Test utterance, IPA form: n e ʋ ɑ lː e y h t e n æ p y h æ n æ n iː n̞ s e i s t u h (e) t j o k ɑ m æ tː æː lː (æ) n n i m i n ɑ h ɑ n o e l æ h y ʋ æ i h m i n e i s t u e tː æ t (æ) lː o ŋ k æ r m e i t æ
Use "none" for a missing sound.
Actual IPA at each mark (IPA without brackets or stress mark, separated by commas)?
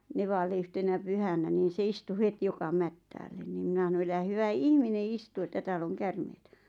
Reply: e, e, æː